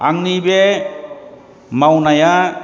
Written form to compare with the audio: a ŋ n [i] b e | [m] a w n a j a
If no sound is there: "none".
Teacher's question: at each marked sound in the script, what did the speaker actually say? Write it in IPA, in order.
i, m

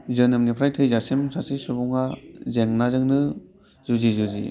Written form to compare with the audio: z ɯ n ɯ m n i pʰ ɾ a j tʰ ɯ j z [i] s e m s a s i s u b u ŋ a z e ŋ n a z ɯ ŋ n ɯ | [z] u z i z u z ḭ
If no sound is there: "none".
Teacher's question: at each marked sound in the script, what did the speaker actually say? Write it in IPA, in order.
a, z

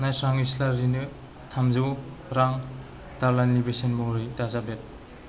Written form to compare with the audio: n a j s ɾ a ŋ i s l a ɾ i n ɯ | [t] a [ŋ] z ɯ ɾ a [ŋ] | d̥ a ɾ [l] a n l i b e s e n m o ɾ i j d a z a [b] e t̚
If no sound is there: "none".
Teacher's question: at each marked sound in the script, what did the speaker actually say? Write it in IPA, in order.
tʰ, m, ŋ, l, b

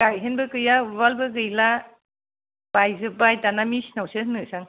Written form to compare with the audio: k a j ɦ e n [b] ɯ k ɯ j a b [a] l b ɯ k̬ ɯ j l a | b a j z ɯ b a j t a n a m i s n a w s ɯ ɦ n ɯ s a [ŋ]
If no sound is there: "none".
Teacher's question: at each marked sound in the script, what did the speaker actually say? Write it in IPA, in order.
b, a, ŋ

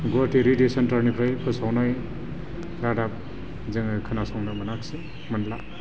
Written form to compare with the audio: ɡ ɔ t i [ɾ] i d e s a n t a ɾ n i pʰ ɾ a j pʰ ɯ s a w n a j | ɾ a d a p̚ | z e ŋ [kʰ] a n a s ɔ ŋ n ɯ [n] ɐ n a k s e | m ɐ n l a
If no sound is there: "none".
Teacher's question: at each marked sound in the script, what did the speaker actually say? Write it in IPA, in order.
ɾ, kʰ, m

